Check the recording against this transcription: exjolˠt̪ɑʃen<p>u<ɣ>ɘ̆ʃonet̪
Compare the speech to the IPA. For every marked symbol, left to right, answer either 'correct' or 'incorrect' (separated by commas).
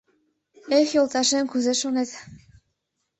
incorrect, incorrect